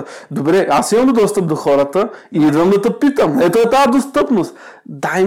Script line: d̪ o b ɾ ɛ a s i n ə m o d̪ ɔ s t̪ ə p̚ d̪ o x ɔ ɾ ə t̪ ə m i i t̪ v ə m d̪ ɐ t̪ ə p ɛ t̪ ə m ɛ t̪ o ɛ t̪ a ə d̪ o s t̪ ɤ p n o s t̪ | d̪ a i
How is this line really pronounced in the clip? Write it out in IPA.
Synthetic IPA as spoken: d̪ o b ɾ ɛ a s i m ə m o d̪ ɔ s t̪ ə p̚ d̪ o x ɔ ɾ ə t̪ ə i i d̪ v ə m d̪ ɐ t̪ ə p i t̪ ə m ɛ t̪ o ɛ t̪ a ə d̪ o s t̪ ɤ p n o s t̪ | d̪ a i